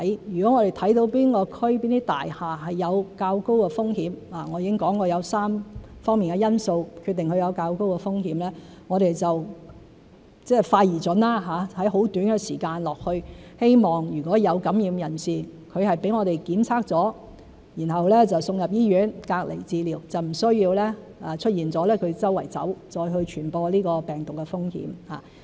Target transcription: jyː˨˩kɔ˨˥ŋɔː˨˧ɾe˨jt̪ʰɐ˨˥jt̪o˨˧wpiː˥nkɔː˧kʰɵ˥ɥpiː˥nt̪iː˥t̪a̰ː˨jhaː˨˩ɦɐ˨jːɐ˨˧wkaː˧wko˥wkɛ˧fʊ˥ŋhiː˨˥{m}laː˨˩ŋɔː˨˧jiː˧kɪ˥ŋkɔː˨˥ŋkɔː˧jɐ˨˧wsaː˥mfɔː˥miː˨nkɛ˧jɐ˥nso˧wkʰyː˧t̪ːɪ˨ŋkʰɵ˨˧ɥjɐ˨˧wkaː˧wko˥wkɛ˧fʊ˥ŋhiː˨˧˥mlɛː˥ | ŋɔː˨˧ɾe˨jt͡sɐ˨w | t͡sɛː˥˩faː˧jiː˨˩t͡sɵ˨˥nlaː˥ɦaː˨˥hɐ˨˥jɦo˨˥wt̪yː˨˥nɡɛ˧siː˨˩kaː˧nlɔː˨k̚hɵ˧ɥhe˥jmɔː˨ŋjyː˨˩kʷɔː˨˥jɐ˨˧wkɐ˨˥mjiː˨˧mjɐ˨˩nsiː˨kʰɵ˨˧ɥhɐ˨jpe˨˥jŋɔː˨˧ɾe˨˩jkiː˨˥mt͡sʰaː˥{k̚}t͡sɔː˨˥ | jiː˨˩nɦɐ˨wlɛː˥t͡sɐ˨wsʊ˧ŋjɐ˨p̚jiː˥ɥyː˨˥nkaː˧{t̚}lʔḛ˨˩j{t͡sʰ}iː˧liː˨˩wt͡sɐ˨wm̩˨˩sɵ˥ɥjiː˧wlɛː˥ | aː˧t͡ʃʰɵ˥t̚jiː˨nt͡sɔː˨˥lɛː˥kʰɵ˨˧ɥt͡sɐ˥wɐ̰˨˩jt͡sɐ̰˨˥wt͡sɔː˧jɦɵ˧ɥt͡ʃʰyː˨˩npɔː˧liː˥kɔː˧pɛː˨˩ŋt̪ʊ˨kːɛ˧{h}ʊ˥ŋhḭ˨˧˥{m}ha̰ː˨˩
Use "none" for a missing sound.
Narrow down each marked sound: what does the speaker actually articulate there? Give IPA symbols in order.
m, k̚, k̚, t͡s, f, m

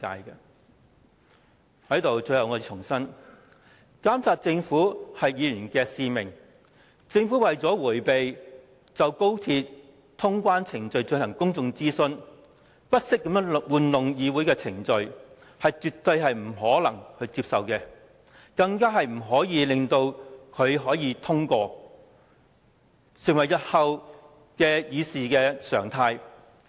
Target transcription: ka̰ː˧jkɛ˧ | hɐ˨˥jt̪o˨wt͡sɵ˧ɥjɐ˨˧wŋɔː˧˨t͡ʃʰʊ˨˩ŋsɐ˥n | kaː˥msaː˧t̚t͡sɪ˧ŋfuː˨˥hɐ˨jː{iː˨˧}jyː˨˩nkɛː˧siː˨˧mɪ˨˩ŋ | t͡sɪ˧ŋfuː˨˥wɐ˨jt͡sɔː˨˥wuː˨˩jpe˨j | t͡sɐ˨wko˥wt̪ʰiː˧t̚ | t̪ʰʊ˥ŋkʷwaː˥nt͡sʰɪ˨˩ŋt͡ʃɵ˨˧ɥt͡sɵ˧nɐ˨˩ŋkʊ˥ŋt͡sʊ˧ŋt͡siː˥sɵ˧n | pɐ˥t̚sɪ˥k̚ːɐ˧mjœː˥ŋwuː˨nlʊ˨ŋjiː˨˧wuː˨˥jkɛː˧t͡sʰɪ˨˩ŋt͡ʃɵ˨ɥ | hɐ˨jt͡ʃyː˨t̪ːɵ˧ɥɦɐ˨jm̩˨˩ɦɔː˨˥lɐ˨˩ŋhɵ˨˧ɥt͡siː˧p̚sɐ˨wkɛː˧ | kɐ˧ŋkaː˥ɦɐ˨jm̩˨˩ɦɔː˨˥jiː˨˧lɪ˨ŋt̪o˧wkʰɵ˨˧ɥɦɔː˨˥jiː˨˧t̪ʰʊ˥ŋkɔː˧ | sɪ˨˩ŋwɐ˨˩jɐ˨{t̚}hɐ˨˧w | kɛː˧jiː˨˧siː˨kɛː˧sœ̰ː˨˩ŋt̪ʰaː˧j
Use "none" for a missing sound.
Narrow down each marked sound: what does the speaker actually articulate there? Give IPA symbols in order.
iː˨˧, t̚

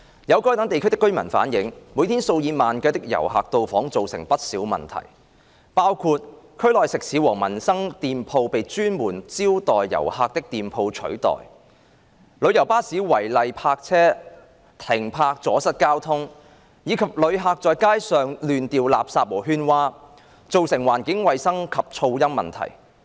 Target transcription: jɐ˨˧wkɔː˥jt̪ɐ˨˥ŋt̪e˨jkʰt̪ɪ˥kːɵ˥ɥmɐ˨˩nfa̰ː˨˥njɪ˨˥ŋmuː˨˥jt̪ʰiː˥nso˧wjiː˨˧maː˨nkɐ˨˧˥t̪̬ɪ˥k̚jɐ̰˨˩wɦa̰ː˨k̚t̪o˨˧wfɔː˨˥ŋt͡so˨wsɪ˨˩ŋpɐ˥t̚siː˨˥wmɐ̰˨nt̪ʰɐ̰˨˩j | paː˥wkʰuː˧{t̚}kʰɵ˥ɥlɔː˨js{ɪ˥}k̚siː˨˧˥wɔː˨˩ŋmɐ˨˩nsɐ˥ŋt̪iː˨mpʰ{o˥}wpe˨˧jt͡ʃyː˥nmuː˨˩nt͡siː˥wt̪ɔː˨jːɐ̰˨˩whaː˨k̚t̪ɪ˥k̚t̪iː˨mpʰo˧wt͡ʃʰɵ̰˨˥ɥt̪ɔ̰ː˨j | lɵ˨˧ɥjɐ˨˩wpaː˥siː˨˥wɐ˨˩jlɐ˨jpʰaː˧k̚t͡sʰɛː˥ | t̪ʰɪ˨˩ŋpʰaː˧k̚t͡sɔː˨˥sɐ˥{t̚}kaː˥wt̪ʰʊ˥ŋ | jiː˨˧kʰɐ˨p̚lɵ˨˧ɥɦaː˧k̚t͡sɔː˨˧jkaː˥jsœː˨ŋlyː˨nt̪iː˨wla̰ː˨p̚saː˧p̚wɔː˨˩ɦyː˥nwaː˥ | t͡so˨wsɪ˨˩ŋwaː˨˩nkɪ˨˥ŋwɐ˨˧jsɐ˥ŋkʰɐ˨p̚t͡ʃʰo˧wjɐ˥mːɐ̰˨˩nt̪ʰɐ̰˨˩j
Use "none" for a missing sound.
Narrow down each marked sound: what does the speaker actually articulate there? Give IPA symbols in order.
t̚, ɪ˨, o˧, t̚

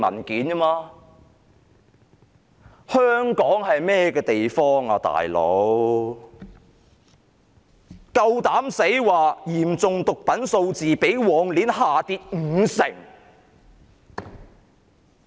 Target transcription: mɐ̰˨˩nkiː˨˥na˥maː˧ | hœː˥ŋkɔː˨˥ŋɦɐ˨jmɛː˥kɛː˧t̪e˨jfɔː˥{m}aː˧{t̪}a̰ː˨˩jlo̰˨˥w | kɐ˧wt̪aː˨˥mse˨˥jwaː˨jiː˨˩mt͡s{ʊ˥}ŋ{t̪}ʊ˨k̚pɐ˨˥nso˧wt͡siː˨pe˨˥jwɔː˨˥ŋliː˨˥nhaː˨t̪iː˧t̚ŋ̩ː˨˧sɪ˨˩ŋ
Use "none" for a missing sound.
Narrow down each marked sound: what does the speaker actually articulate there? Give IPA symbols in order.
ŋ, t̪, ʊ˨, t̪

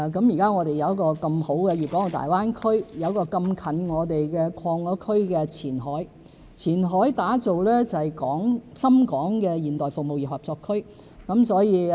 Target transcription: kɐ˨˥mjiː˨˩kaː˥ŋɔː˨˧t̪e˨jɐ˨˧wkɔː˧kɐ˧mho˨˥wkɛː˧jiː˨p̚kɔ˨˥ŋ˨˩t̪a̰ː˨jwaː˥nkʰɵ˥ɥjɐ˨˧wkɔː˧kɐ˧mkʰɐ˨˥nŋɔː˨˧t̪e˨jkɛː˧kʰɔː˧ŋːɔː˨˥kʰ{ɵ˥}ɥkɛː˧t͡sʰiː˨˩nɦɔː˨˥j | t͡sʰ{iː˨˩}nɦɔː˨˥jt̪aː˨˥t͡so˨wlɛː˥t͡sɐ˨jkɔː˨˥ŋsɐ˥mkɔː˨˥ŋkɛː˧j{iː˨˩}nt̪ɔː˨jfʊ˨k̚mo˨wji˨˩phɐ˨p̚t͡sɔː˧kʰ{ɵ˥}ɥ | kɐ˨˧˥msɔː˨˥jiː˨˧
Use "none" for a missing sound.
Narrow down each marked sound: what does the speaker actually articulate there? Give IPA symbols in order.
ɵ˥, iː˨˩, iː˨˩, ɵ˥

